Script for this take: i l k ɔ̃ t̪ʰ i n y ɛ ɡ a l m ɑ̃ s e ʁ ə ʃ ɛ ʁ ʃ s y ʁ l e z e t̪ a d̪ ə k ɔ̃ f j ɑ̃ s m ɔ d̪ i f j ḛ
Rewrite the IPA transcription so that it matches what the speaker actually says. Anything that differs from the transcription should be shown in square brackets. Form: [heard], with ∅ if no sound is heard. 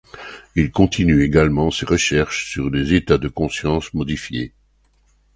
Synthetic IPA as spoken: i l k ɔ̃ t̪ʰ i n y [e] ɡ a l m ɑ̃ s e ʁ ə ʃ ɛ ʁ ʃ s y ʁ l e z e t̪ a d̪ ə k ɔ̃ [s] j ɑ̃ s m ɔ d̪ i f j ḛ